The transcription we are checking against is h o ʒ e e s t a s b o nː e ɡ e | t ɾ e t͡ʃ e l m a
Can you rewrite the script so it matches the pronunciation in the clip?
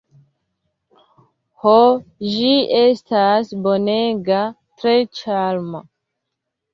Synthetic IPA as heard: h o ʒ i e s t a s b o n e ɡ a | t ɾ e t͡ʃ a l m a